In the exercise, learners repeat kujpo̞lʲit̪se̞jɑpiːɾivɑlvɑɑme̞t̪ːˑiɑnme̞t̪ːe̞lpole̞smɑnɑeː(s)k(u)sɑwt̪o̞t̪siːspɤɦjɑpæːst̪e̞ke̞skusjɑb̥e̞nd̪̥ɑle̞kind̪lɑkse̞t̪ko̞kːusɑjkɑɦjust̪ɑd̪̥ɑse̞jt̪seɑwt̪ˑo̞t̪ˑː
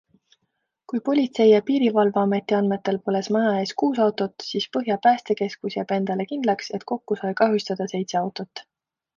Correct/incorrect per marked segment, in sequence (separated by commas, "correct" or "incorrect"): correct, incorrect